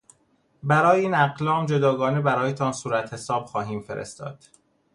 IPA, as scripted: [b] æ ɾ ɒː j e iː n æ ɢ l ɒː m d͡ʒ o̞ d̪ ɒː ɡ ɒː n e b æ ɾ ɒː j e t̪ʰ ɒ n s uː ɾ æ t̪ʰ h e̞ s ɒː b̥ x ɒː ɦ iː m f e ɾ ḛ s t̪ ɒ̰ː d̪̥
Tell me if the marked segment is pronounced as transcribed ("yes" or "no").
yes